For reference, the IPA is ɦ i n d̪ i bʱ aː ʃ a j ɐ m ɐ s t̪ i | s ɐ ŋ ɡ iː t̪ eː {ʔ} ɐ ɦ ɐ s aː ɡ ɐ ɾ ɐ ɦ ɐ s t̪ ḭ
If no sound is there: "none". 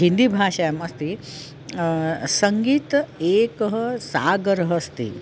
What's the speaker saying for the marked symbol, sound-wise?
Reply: k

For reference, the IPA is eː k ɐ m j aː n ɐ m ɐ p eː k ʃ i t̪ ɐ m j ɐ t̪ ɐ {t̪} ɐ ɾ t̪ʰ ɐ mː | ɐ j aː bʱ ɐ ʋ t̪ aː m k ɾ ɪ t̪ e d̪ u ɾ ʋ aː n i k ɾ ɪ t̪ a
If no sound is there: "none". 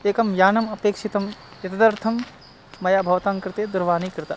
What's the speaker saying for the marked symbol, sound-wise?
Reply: d̪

